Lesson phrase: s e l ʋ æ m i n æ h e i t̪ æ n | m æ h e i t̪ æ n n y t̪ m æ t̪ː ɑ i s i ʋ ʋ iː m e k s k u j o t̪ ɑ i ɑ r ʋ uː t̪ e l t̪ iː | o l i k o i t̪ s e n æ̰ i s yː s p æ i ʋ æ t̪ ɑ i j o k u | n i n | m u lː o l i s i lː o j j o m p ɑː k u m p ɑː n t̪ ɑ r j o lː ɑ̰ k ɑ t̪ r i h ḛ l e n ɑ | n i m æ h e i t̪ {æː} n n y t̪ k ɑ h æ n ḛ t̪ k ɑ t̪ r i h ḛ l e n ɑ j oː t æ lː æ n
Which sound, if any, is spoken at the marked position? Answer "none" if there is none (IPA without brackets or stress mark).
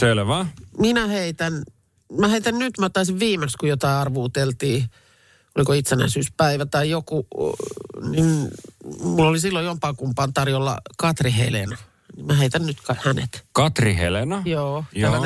æ